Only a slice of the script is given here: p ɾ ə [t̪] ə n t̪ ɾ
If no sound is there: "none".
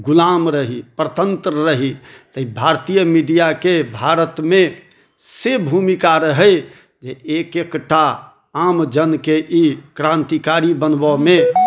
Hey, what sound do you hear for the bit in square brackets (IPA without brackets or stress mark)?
t̪